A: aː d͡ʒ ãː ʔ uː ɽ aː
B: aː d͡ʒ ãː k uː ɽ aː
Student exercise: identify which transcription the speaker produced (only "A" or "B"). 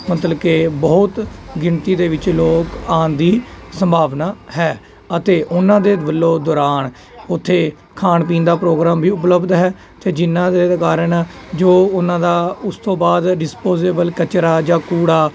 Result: B